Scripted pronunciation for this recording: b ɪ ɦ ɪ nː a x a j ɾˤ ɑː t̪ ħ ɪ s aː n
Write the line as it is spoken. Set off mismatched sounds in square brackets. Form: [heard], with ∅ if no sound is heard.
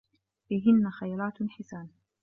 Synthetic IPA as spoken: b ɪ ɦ ɪ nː a x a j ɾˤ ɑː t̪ ħ ɪ s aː n